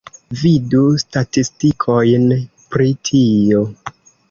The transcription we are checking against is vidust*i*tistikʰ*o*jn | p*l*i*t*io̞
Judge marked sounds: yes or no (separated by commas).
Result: no, yes, no, no